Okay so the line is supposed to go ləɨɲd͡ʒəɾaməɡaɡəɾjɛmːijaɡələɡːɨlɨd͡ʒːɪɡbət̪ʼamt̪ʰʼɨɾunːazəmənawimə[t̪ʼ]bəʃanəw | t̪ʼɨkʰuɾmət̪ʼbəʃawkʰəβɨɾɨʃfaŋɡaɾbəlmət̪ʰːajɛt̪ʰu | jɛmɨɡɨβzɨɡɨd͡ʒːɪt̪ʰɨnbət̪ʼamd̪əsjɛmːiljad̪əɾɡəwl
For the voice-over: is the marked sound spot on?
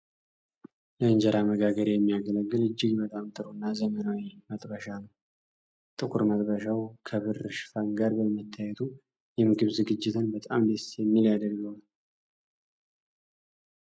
yes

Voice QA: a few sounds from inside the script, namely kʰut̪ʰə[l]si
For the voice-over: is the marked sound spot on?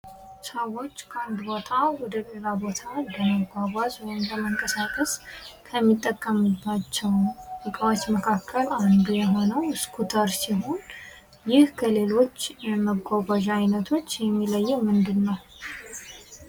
no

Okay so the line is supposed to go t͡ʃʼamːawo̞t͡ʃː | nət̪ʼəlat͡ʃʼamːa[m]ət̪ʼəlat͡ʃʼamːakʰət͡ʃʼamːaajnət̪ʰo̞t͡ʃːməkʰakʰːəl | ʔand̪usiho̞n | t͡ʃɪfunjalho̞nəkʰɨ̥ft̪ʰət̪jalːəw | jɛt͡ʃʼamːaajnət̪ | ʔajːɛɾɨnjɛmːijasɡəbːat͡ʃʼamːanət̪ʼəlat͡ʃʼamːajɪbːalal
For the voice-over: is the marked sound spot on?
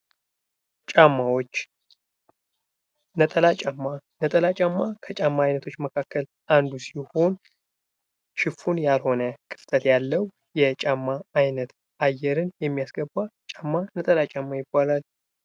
no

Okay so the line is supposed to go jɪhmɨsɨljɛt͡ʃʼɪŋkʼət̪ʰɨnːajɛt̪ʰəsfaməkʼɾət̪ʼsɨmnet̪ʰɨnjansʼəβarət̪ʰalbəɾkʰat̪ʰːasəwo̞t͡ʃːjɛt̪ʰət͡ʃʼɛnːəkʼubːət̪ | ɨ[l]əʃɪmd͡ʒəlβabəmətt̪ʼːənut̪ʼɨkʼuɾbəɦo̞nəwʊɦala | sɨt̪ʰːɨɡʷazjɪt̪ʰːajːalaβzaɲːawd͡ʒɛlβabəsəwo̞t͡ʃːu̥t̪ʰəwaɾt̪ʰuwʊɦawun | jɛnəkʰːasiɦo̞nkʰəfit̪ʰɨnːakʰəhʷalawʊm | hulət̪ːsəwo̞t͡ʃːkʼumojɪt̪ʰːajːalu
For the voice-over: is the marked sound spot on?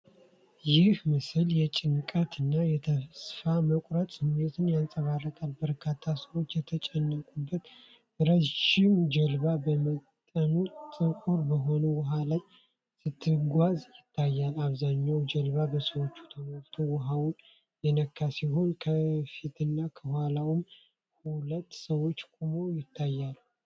no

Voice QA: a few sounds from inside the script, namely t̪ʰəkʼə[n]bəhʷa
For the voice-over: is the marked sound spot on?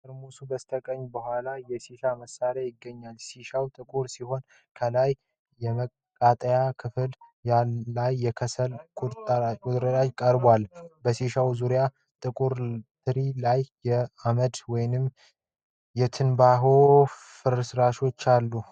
no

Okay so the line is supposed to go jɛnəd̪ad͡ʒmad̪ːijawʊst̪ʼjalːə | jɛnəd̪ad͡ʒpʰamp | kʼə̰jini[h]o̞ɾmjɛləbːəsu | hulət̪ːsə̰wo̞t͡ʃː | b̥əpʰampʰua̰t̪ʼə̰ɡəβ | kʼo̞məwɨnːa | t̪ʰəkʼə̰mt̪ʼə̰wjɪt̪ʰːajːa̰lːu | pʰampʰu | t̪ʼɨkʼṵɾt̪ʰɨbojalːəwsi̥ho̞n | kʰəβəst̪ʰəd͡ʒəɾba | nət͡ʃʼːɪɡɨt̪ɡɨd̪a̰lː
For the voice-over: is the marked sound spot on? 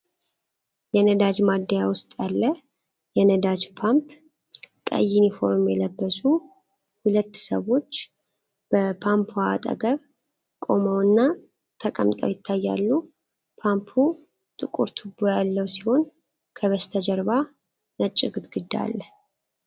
no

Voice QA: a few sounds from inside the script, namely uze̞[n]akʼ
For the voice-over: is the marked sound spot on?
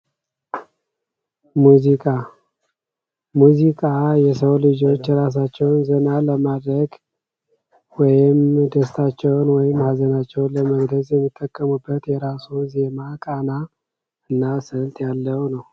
no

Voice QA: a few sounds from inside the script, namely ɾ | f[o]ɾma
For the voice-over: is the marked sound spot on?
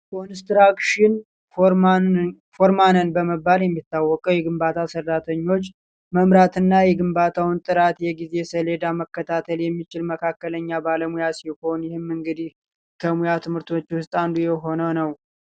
yes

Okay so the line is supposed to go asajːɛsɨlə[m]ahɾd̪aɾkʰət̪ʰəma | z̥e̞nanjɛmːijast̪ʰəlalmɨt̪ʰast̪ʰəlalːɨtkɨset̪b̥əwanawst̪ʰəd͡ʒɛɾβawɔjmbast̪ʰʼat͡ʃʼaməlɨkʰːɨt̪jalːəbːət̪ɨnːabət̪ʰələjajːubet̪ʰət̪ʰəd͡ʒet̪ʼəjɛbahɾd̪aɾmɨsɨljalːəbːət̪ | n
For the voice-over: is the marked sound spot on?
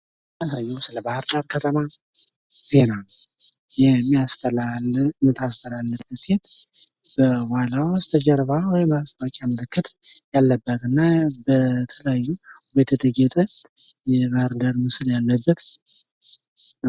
no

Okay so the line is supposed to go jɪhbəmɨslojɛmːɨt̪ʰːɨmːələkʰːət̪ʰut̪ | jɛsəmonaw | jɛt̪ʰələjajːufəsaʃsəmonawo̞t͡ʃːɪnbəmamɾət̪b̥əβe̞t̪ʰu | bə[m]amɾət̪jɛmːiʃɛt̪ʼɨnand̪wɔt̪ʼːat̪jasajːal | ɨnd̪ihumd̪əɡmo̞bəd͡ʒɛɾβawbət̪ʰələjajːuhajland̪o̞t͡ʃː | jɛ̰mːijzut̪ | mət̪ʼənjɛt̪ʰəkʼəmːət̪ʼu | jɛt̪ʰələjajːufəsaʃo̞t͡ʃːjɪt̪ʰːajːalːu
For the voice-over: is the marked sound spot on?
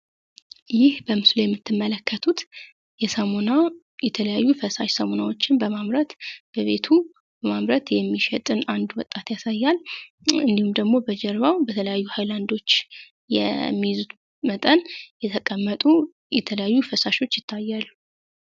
yes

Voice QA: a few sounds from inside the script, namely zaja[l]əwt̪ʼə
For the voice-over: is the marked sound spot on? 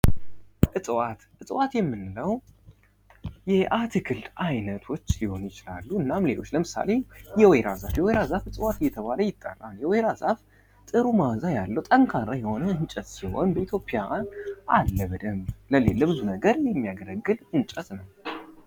no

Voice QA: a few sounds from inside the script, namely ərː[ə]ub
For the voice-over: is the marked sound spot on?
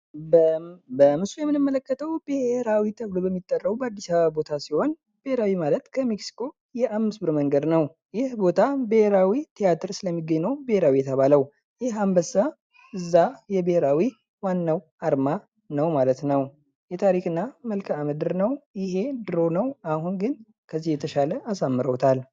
yes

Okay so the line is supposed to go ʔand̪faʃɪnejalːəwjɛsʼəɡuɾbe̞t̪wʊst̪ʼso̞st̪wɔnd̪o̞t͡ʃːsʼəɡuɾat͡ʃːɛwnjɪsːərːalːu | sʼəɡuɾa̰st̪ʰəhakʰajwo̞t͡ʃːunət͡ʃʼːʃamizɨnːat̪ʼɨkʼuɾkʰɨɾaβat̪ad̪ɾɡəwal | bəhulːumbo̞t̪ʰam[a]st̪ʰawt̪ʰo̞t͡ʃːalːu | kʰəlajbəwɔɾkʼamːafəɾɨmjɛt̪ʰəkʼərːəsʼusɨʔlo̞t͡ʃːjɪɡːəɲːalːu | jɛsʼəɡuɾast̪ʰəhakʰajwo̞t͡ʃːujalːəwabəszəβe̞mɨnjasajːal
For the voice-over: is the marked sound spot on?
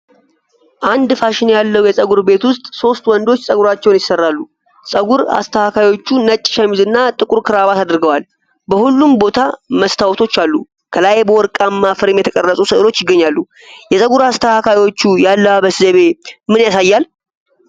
no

